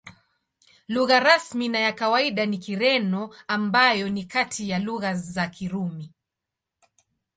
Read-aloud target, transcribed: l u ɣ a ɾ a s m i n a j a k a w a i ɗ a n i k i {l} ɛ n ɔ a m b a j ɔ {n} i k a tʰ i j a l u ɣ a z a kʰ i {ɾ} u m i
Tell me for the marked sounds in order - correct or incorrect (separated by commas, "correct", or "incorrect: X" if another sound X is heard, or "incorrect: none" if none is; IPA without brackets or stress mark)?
incorrect: ɾ, correct, correct